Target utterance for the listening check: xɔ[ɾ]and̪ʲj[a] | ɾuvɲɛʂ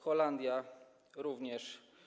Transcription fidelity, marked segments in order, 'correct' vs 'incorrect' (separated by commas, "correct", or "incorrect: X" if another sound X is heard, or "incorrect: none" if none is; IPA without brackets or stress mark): incorrect: l, correct